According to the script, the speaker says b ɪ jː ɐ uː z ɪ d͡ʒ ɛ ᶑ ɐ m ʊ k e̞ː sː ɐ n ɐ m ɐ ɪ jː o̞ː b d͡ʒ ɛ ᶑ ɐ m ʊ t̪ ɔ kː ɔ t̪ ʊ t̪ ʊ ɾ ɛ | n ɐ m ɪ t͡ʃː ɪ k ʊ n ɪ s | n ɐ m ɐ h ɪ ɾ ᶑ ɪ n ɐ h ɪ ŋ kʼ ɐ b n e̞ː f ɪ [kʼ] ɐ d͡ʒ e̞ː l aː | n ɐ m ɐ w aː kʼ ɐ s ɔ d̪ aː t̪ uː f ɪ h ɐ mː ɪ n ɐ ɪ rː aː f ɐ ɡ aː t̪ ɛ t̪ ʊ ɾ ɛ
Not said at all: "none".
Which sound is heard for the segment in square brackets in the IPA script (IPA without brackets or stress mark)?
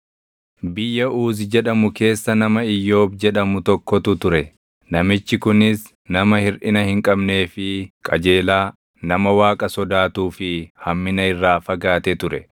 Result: kʼ